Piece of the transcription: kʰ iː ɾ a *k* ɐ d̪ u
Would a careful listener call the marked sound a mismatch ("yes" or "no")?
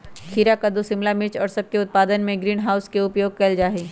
no